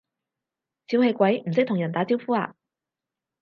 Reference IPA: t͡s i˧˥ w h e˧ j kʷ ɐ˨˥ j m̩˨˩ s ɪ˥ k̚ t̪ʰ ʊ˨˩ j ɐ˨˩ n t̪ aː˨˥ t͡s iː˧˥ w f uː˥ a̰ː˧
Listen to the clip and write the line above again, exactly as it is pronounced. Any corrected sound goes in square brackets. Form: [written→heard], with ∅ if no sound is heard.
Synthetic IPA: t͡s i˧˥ w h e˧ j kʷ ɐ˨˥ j m̩˨˩ s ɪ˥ k̚ [t̪ʰ→t̪] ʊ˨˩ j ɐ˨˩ n t̪ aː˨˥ t͡s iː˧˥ w f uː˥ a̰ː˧